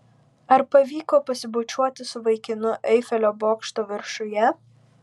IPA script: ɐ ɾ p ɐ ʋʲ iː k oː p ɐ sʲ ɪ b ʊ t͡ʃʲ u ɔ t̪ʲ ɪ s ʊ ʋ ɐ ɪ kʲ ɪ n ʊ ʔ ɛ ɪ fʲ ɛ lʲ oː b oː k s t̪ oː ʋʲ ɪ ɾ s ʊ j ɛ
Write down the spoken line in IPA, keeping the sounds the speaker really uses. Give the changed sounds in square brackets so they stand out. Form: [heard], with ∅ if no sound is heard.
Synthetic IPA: ɐ ɾ p ɐ ʋʲ iː k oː p ɐ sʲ ɪ b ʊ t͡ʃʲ u ɔ t̪ʲ ɪ s ʊ ʋ ɐ ɪ kʲ ɪ n ʊ ʔ ɛ ɪ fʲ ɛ lʲ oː b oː k [ʃ] t̪ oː ʋʲ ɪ ɾ [ʃ] ʊ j ɛ